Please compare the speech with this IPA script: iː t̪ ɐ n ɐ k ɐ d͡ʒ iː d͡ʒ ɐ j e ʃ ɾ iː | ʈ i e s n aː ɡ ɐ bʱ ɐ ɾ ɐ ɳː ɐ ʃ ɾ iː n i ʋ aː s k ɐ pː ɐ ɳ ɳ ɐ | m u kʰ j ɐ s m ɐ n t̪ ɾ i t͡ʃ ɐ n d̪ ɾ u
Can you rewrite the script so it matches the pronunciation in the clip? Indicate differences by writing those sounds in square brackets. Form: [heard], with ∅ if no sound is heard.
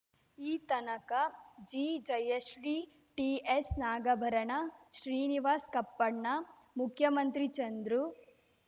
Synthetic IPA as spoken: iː t̪ ɐ n ɐ k ɐ d͡ʒ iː d͡ʒ ɐ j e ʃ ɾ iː | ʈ i e s n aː ɡ ɐ bʱ ɐ ɾ ɐ [ɳ] ɐ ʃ ɾ iː n i ʋ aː s k ɐ pː ɐ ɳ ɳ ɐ | m u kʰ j ɐ [∅] m ɐ n t̪ ɾ i t͡ʃ ɐ n d̪ ɾ u